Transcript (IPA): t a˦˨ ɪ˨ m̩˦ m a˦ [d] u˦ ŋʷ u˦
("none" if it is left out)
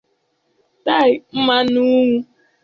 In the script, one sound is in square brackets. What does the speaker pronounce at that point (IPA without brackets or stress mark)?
n